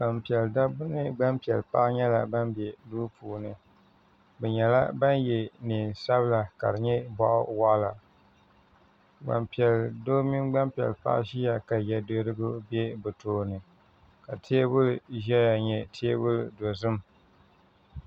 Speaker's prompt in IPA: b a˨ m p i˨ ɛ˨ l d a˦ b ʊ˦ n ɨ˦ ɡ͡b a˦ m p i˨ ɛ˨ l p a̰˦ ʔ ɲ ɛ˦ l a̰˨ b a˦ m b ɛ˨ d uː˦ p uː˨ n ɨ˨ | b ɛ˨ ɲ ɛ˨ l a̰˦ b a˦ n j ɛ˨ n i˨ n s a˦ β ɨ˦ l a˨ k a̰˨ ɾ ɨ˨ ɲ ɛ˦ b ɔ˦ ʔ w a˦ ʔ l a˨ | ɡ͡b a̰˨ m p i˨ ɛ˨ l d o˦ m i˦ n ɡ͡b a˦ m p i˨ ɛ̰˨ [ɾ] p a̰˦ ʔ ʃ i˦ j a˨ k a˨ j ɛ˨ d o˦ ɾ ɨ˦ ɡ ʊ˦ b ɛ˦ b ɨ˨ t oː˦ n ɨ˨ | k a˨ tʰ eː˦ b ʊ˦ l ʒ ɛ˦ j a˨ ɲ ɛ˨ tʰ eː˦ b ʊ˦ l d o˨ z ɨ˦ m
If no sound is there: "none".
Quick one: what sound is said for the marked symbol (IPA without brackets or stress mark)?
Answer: l